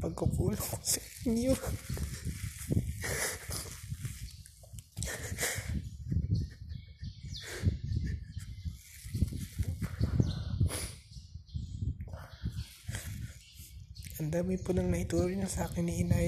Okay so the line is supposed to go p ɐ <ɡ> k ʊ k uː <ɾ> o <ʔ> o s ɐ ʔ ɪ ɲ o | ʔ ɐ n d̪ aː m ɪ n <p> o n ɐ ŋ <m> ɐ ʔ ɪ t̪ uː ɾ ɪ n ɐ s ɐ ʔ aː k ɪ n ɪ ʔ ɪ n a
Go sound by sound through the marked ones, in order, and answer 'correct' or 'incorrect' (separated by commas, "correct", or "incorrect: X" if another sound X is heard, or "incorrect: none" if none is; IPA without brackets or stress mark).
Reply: correct, incorrect: l, incorrect: k, correct, incorrect: n